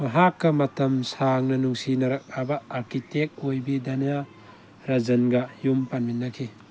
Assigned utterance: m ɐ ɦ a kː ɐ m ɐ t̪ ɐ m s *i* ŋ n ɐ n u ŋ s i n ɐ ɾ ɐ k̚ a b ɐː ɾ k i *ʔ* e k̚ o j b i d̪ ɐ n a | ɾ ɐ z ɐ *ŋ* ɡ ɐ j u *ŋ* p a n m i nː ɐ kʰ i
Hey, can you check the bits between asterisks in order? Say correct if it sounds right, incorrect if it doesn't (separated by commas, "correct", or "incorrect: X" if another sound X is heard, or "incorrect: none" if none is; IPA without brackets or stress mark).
incorrect: a, incorrect: t, incorrect: n, incorrect: m